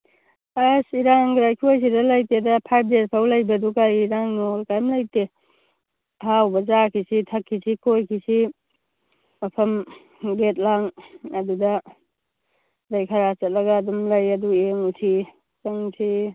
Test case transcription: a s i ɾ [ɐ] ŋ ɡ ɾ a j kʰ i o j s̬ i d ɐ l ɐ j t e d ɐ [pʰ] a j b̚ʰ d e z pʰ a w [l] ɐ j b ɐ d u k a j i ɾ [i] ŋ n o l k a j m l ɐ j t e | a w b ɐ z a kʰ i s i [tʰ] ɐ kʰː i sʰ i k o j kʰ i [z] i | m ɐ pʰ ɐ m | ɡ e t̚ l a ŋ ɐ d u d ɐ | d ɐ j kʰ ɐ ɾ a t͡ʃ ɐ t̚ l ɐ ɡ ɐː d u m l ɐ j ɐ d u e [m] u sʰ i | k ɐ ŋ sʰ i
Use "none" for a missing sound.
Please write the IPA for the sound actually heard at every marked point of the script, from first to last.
a, pʰ, l, a, tʰ, s, ŋ

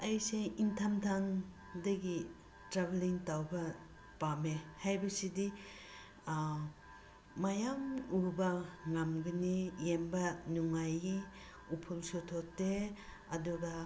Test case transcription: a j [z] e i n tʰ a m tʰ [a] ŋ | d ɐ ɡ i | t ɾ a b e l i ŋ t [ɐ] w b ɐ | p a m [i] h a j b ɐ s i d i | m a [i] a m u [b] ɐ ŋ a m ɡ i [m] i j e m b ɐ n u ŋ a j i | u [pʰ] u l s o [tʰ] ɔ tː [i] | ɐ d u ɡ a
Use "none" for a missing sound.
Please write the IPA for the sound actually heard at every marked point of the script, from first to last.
s, a, a, e, j, b, n, pʰ, tʰ, e

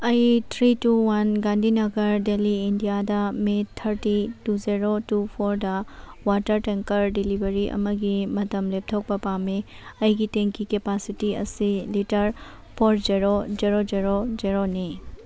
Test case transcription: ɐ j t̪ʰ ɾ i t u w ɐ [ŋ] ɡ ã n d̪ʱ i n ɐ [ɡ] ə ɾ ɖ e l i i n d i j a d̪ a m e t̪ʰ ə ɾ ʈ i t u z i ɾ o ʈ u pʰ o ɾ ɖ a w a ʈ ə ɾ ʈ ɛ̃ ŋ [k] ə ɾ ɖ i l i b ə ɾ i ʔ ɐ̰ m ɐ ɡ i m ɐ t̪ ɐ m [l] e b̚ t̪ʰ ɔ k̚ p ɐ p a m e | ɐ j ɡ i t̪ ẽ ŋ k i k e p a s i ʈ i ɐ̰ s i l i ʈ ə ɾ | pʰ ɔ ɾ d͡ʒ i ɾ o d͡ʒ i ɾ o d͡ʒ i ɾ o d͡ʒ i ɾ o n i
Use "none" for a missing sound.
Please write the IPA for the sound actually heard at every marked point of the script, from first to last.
n, ɡ, k, l

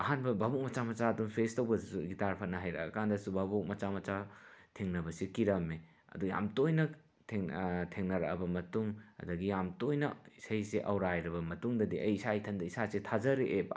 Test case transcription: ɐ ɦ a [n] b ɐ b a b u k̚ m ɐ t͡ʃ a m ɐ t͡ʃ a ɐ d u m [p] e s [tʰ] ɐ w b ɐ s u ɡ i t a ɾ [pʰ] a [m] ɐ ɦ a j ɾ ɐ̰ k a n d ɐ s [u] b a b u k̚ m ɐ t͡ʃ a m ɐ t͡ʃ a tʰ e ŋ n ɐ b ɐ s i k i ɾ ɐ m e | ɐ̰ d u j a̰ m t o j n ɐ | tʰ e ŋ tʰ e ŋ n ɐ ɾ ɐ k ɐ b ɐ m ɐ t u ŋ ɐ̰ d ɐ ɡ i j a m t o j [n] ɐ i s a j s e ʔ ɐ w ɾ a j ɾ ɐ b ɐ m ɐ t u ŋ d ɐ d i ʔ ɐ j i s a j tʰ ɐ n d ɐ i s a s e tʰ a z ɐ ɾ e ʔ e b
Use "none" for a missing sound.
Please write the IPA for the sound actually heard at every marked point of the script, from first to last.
n, pʰ, t, pʰ, n, u, n

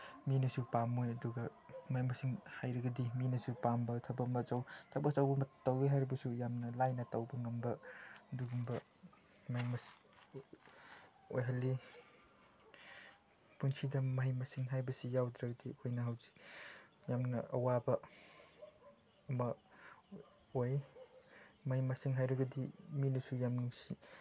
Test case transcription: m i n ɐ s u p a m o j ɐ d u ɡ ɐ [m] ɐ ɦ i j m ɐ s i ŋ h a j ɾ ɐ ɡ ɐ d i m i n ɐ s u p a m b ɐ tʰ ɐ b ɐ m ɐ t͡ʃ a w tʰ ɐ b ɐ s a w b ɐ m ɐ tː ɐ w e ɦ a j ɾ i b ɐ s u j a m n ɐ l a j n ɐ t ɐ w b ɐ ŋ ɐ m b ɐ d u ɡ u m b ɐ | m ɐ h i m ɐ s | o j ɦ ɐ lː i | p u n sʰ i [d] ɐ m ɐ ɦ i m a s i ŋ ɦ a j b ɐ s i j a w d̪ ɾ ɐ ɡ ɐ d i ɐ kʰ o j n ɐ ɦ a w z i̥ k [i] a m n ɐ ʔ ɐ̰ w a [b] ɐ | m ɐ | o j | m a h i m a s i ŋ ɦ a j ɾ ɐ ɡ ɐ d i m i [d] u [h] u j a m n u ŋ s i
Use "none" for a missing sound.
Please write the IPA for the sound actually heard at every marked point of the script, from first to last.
m, d, j, b, n, s

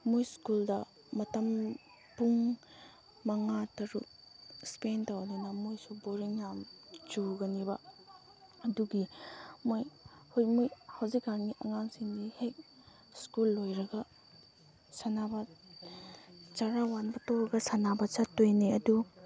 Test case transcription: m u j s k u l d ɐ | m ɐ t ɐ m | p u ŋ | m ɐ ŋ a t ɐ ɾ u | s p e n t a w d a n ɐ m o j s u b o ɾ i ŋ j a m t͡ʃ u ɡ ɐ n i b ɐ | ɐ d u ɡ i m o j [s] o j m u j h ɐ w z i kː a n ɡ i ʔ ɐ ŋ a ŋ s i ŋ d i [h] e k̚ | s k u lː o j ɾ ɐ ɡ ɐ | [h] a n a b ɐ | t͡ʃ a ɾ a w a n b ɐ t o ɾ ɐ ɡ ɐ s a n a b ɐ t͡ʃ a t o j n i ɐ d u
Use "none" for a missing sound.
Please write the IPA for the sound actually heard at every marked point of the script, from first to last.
h, h, s

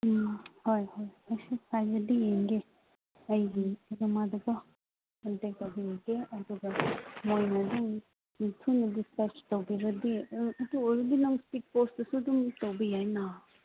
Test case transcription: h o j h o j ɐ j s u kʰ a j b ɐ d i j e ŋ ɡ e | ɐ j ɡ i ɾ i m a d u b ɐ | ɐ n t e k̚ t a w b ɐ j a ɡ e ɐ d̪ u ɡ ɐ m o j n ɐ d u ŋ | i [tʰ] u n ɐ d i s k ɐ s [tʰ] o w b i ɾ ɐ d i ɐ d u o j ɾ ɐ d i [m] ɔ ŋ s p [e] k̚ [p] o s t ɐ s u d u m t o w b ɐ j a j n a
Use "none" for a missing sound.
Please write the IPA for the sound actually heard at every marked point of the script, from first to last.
tʰ, t, n, i, p

